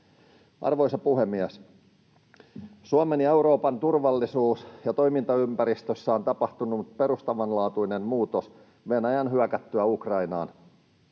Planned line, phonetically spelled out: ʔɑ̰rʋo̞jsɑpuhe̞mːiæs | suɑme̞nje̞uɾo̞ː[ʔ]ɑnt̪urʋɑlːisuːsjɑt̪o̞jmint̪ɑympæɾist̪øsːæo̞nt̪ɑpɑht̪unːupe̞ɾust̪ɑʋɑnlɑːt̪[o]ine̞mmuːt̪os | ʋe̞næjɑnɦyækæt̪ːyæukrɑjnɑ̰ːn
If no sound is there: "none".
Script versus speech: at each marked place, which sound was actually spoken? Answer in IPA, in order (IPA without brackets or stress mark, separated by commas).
p, u